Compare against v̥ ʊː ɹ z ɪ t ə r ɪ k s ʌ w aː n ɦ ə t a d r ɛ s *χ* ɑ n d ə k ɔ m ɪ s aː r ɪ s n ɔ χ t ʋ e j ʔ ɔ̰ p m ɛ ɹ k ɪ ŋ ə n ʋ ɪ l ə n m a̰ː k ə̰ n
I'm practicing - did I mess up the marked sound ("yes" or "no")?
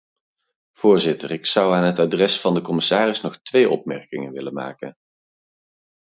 yes